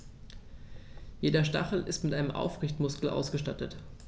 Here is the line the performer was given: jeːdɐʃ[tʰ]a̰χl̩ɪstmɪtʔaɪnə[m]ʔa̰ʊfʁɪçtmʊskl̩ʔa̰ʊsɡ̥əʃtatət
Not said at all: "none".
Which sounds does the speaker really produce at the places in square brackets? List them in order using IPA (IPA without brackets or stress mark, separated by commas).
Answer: t, m